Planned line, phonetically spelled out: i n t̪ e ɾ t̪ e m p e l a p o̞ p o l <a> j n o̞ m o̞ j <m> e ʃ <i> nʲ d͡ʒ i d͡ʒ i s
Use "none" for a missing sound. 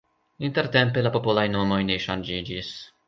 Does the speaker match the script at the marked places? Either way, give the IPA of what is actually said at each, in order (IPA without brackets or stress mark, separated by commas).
a, n, a